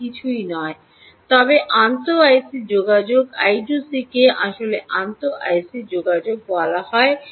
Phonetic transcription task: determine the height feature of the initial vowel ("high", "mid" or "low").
high